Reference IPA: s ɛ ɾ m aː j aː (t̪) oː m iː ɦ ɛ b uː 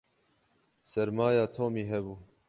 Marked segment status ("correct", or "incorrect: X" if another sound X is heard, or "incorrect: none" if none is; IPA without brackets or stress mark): incorrect: t̪ʰ